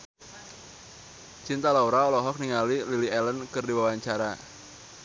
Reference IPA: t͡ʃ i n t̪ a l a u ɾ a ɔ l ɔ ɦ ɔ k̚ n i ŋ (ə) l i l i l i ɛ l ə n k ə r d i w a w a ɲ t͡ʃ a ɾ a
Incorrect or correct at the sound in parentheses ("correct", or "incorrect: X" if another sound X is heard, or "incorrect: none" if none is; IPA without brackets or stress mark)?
incorrect: a